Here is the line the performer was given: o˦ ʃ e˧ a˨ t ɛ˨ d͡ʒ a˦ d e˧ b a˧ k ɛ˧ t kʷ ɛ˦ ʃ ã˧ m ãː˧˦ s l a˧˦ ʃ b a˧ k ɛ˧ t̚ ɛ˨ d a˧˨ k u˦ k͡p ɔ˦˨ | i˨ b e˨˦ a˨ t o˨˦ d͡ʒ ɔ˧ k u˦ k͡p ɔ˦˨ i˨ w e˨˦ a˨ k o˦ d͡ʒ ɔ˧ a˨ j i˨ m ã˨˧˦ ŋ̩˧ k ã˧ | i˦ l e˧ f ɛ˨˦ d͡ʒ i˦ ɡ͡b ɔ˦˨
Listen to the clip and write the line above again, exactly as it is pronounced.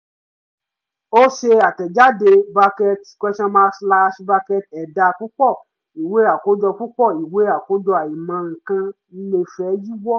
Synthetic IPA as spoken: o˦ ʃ e˧ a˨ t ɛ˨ d͡ʒ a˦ d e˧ b a˧ k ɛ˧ t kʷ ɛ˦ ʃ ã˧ m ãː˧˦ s l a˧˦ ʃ b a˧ k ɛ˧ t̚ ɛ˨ d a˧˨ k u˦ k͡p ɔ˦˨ | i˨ w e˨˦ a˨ k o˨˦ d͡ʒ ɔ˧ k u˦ k͡p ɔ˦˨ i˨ w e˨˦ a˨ k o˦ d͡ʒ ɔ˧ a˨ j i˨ m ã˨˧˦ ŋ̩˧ k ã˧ | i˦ l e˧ f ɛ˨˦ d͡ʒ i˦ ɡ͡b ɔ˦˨

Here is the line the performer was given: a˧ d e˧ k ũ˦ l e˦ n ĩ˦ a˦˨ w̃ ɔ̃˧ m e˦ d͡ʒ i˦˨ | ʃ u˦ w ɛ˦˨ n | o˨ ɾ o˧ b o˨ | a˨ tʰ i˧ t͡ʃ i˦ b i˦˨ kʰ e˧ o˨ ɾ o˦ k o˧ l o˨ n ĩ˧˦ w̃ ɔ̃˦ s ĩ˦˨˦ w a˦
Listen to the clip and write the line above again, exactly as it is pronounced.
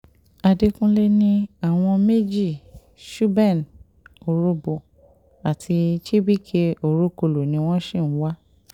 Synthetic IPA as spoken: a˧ d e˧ k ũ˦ l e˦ n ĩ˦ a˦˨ w̃ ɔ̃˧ m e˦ d͡ʒ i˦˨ | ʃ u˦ b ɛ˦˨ n | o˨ ɾ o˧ b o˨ | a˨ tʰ i˧ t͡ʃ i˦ b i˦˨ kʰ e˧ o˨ ɾ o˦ k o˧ l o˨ n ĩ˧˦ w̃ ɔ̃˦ ʃ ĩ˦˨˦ w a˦

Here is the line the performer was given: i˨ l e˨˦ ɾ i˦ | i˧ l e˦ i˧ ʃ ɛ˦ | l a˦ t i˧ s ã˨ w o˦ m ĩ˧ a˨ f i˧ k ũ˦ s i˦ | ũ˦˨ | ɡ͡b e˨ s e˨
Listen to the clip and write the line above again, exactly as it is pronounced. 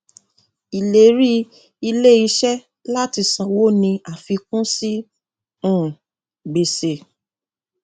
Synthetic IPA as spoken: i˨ l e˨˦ ɾ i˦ | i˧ l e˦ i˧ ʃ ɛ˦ | l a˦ t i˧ s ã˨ w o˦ n ĩ˧ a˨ f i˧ k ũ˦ s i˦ | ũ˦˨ | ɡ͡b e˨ s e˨

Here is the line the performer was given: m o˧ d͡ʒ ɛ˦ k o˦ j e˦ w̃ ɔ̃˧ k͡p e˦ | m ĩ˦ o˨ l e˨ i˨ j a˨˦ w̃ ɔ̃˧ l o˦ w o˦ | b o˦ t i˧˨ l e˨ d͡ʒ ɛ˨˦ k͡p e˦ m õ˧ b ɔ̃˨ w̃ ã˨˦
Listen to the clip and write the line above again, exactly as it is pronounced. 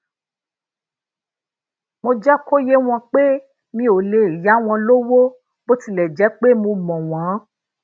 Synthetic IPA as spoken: m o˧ d͡ʒ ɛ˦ k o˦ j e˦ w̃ ɔ̃˧ k͡p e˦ | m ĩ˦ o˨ l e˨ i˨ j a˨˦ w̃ ɔ̃˧ l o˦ w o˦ | b o˦ t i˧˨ l ɛ˨ d͡ʒ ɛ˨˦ k͡p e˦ m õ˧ m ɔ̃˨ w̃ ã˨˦

